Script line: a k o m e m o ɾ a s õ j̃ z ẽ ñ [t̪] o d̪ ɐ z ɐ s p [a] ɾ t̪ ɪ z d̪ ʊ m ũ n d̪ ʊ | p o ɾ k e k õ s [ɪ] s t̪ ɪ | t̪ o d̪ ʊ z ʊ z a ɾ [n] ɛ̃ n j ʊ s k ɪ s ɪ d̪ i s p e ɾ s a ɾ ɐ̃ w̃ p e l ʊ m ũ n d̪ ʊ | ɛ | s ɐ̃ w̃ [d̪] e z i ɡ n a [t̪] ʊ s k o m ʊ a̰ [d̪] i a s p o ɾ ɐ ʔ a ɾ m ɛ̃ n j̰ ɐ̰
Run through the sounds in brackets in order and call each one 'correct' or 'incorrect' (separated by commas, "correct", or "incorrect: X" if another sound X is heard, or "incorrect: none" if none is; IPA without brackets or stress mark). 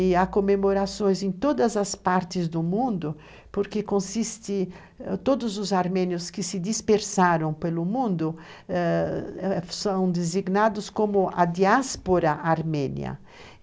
correct, correct, incorrect: i, incorrect: m, correct, incorrect: d̪, correct